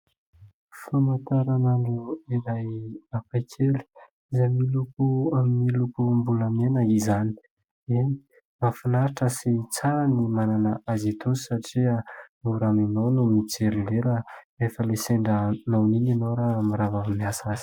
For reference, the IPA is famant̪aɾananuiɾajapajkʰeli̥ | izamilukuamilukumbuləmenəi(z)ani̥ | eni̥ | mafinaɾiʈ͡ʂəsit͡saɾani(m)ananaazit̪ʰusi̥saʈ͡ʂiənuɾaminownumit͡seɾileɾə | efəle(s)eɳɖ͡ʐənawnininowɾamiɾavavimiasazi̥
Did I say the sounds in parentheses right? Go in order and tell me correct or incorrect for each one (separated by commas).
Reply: correct, correct, correct